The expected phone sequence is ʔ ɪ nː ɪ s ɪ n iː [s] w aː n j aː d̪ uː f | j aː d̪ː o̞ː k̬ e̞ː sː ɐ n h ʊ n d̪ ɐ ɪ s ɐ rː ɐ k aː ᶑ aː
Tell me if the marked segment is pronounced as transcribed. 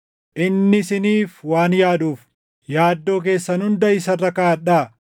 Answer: no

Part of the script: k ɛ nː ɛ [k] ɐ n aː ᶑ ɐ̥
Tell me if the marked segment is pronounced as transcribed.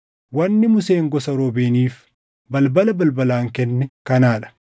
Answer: yes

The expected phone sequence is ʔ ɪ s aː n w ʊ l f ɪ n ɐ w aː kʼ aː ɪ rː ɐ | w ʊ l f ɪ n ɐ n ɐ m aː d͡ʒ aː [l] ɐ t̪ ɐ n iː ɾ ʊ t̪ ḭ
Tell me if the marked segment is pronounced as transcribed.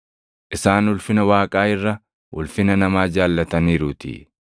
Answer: no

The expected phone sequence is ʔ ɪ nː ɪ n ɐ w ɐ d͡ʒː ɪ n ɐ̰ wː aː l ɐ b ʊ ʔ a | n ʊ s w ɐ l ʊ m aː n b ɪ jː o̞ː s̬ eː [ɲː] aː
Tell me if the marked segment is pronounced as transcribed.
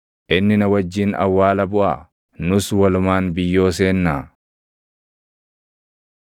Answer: no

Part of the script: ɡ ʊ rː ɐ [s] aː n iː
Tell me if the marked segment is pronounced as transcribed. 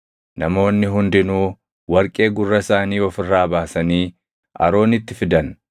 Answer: yes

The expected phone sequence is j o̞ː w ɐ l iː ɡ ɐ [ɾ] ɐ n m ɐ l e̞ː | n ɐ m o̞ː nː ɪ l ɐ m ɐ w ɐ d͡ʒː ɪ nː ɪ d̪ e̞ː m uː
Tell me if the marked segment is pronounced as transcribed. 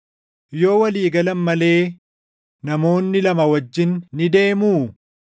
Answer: no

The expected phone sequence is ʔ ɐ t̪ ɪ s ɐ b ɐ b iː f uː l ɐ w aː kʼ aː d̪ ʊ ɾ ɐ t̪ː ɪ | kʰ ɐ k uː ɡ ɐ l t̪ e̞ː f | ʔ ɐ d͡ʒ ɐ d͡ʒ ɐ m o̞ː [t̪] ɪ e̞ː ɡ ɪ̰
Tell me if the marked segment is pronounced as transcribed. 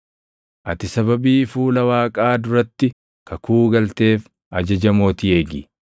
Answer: yes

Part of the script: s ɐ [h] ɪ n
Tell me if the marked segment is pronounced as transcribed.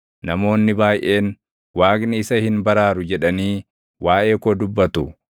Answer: yes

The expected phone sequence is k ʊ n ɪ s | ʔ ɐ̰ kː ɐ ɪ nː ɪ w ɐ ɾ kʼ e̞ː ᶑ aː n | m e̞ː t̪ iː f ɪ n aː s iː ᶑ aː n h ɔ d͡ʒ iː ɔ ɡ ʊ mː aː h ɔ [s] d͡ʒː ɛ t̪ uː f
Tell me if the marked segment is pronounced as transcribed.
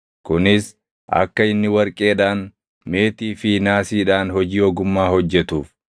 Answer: no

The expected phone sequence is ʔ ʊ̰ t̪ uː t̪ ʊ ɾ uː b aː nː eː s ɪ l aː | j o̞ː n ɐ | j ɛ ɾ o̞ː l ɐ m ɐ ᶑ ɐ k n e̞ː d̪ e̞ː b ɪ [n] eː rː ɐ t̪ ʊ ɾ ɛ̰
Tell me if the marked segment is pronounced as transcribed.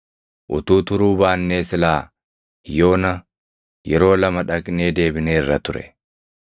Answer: yes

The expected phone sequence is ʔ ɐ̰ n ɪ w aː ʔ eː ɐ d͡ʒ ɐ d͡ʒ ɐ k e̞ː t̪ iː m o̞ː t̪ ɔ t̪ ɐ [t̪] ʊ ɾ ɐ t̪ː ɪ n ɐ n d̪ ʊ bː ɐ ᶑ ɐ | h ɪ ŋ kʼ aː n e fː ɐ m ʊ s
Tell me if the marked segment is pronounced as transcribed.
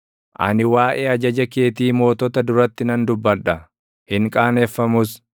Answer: no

